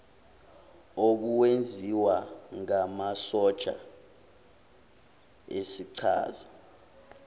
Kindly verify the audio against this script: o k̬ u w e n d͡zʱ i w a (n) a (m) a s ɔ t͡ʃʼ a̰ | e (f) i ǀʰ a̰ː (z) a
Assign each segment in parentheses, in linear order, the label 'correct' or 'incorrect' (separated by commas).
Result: incorrect, correct, incorrect, correct